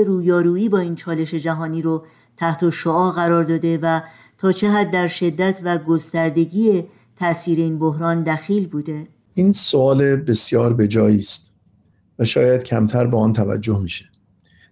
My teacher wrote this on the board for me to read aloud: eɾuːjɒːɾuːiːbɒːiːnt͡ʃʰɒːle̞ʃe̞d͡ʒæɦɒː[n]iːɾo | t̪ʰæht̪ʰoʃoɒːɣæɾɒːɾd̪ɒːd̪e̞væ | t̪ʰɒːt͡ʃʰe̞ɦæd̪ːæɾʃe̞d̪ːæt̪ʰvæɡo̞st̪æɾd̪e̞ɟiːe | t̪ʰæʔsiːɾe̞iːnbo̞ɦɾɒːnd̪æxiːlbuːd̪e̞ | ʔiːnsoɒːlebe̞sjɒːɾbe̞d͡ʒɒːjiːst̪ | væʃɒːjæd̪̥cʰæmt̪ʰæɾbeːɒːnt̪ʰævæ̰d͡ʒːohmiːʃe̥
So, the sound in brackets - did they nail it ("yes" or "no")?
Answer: yes